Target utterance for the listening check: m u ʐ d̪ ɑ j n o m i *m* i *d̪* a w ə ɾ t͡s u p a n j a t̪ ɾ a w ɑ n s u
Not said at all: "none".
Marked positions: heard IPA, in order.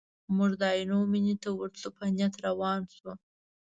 n, t̪

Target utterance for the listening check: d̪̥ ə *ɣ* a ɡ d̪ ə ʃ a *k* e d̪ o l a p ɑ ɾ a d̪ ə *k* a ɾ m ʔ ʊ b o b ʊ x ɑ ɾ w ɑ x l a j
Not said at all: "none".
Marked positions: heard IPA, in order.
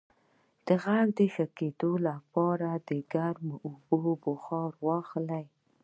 ɣ, k, ɡ

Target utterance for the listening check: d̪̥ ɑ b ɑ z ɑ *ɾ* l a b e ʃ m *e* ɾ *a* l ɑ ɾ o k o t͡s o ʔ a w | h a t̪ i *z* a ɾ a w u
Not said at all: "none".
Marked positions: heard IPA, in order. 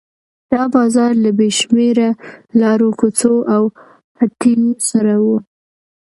ɾ, e, a, s

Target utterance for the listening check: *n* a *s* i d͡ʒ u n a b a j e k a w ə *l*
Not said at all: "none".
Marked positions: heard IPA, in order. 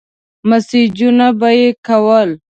m, s, l

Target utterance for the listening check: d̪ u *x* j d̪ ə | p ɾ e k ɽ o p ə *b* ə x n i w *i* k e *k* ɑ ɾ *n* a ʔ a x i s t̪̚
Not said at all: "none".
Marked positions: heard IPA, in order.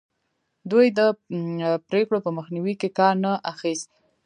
none, m, i, k, n

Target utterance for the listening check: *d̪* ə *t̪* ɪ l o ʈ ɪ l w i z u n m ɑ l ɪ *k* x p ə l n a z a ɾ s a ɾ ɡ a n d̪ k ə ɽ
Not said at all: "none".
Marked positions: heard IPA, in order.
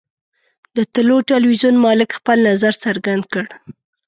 d̪, t̪, k

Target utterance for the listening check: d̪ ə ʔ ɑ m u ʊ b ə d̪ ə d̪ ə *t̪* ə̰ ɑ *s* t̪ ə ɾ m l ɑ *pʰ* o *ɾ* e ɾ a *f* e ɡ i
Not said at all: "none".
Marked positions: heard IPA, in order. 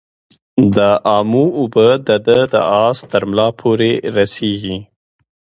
d̪, s, pʰ, ɾ, s

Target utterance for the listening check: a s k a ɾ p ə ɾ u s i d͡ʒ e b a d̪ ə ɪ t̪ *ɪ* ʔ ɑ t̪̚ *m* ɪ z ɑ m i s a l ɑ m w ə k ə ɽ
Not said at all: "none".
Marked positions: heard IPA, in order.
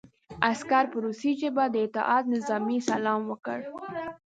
ɪ, n

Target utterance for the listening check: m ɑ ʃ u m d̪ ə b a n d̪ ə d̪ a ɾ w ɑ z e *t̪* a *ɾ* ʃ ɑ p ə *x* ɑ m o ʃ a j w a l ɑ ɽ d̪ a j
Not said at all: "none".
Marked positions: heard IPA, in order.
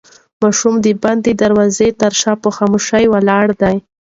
t̪, ɾ, x

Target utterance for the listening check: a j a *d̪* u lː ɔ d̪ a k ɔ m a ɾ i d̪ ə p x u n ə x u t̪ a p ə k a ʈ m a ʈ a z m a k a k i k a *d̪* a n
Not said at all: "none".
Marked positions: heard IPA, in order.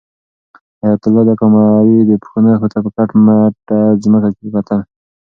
t̪, t̪

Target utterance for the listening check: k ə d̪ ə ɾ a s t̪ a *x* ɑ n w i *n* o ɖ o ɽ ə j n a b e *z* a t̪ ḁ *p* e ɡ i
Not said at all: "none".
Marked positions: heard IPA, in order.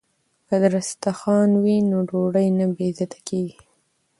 x, n, z, k

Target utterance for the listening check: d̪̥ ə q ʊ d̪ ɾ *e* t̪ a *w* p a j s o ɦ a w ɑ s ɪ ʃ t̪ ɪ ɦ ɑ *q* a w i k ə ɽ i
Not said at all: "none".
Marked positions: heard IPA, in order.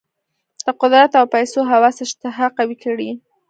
a, w, q

